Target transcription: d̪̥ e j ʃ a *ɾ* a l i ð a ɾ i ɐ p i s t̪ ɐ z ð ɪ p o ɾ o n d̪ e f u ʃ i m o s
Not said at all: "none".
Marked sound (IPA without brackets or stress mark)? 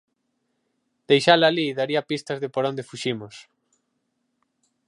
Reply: l